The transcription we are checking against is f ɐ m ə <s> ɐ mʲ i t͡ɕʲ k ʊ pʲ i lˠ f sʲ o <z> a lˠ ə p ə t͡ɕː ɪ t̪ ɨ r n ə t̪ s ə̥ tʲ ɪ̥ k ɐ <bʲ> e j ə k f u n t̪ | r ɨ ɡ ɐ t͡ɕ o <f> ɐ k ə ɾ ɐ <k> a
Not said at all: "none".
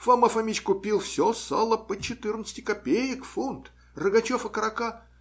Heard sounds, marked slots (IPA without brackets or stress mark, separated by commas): f, s, pʲ, f, k